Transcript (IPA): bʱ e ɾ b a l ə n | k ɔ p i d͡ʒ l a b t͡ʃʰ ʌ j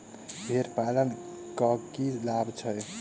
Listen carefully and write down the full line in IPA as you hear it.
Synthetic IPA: bʱ e ɾ p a l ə n | k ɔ k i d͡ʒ l a b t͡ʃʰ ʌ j